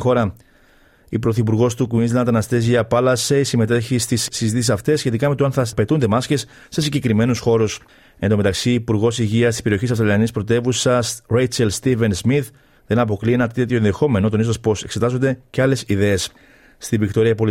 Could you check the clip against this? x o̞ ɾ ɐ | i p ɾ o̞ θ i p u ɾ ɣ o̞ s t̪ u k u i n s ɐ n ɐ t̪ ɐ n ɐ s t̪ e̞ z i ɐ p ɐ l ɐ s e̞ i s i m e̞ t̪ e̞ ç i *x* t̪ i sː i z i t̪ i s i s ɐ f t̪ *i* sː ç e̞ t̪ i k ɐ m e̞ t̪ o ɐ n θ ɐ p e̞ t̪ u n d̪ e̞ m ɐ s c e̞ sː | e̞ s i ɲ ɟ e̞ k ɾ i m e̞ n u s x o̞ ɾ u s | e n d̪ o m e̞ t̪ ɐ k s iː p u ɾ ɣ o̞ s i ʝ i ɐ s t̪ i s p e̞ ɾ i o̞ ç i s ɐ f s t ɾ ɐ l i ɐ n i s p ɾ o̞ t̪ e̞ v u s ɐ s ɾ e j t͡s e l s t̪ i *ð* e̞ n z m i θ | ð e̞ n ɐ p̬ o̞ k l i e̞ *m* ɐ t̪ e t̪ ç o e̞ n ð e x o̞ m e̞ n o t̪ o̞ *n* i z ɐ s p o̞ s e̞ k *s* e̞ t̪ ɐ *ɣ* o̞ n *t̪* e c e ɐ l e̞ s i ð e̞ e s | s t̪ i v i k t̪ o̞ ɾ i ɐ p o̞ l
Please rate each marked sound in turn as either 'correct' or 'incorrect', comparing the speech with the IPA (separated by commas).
incorrect, incorrect, incorrect, incorrect, correct, correct, incorrect, incorrect